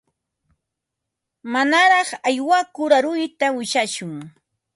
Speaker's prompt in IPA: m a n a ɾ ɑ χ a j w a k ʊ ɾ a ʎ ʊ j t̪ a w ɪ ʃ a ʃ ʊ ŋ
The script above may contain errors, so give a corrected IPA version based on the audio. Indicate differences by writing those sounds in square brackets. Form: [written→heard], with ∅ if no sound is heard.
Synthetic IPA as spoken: m a n a ɾ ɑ χ a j w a k ʊ ɾ a [ʎ→ɾ] ʊ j t̪ a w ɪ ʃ a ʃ ʊ ŋ